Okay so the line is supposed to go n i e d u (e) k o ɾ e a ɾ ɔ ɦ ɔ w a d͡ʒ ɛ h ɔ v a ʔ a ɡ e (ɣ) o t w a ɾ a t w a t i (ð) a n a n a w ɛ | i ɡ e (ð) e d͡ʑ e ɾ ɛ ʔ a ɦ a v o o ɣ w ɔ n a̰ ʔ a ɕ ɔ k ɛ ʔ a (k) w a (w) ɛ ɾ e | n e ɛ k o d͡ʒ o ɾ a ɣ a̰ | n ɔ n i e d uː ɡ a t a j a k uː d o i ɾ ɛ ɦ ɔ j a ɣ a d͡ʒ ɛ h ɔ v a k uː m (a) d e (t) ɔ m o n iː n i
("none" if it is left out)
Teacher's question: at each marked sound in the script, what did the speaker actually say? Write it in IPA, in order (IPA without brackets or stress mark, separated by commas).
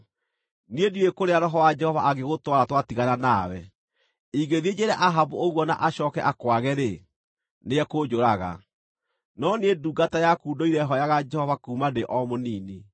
e, ɣ, ɣ, ð, k, ɣ, a, ʔ